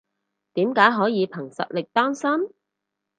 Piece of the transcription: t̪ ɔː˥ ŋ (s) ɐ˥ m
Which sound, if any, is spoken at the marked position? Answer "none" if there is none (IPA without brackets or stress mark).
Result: s